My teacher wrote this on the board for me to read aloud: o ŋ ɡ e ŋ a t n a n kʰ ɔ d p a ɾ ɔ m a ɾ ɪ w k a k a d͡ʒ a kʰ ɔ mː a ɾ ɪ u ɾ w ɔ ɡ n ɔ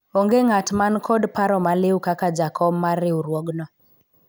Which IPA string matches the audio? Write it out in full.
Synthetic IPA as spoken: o ŋ ɡ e ŋ a t m a n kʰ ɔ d p a ɾ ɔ m a l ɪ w k a k a d͡ʒ a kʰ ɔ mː a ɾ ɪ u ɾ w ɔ ɡ n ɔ